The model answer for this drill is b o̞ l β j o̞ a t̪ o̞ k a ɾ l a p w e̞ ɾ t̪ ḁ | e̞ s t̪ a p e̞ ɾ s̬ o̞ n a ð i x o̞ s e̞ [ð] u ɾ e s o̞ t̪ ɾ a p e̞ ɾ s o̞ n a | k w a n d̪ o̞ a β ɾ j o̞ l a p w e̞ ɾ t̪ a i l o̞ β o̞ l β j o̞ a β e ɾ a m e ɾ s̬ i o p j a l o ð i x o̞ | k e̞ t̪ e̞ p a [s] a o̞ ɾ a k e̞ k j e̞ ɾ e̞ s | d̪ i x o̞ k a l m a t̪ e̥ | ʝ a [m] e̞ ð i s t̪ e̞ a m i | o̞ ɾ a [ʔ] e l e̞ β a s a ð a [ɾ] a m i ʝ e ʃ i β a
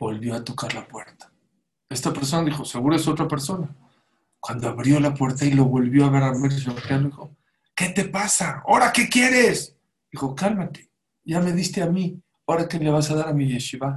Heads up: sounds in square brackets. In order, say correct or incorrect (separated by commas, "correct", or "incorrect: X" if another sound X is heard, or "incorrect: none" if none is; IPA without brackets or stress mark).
incorrect: ɣ, correct, correct, incorrect: k, correct